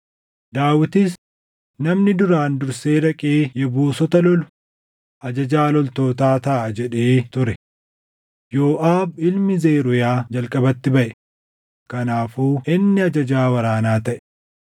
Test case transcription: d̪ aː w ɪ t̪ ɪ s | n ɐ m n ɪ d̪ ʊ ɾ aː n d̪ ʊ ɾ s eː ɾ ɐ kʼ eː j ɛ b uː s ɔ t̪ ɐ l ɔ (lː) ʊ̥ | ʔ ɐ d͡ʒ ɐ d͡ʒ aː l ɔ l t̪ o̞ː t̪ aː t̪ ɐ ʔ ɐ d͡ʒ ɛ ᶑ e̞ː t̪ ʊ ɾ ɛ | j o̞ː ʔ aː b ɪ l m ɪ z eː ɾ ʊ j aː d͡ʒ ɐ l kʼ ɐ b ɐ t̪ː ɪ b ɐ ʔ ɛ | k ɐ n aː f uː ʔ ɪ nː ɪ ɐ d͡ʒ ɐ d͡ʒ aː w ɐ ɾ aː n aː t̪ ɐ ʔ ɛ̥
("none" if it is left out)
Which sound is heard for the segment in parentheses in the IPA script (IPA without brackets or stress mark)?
l